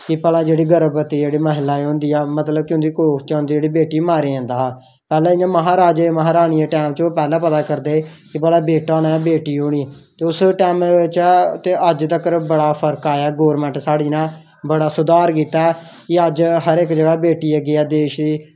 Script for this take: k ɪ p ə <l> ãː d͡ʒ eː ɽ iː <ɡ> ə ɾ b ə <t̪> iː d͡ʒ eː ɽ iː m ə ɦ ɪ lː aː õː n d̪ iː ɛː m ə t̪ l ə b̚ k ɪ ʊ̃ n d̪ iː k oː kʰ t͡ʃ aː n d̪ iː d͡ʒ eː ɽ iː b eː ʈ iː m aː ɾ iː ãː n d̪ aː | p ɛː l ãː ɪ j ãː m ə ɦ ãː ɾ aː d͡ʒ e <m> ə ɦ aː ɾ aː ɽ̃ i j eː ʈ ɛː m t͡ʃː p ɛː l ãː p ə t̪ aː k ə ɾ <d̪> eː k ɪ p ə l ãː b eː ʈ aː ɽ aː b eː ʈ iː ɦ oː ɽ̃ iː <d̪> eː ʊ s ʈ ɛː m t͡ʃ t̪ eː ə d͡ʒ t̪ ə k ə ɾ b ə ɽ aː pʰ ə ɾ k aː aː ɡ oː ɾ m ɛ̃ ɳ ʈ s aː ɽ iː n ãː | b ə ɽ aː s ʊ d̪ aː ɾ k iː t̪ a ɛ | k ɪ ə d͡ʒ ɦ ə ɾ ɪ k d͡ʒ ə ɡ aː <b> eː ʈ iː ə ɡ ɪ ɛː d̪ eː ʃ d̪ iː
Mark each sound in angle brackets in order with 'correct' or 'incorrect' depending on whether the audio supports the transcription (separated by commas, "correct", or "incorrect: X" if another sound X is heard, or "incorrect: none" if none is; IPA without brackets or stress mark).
correct, correct, correct, correct, correct, incorrect: t̪, correct